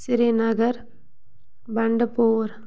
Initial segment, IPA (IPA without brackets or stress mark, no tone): s